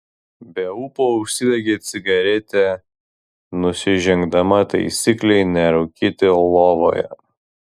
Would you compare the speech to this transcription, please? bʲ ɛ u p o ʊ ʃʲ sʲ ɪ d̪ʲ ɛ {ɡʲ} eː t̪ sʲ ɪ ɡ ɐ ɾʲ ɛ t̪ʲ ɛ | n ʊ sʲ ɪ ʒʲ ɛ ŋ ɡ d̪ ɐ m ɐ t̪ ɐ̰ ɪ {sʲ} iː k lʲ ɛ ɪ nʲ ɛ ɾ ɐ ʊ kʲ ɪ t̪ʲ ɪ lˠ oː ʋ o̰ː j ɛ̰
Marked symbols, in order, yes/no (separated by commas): yes, yes